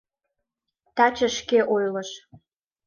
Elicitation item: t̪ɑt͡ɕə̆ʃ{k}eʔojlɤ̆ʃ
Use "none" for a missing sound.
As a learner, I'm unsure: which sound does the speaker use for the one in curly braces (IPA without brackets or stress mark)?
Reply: k